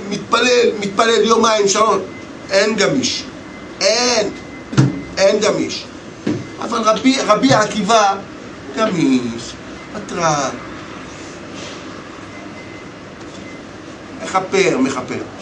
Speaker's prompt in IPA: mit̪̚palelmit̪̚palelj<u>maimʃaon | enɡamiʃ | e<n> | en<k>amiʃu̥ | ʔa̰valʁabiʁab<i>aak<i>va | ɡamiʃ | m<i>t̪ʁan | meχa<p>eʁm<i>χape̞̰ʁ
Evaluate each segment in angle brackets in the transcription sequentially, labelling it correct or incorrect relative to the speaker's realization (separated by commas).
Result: incorrect, correct, incorrect, correct, correct, incorrect, correct, incorrect